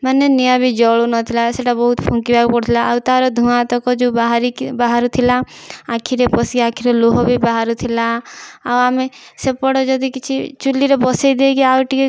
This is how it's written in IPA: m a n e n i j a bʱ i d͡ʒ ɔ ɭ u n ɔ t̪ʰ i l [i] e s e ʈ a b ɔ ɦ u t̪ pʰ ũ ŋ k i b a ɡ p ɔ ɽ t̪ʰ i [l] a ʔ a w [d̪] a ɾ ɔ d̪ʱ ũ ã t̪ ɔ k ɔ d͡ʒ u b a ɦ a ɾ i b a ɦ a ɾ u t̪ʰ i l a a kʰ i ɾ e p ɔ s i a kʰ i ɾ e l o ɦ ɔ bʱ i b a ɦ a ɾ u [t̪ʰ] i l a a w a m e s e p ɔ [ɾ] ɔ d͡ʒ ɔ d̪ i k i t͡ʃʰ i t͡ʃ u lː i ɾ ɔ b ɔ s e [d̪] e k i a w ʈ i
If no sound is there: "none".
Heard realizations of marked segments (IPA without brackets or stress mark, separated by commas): a, l, t̪, t̪ʰ, ɽ, d̪